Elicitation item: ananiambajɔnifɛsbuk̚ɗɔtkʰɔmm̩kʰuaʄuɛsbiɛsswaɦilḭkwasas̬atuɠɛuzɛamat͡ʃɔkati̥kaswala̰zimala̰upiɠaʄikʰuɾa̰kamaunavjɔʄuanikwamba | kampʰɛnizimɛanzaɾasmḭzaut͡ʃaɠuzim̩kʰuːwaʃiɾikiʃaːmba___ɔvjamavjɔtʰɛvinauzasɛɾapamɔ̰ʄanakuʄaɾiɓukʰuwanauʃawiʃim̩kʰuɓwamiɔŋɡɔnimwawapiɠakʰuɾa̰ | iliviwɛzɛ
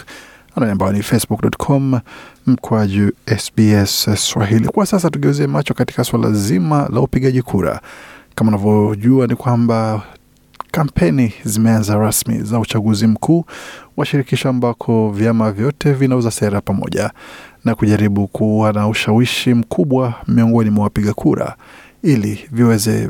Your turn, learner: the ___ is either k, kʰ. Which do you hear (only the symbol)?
kʰ